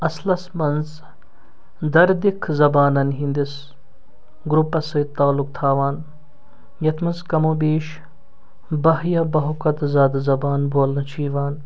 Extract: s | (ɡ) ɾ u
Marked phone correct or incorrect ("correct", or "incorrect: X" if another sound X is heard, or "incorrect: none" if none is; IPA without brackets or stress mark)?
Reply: correct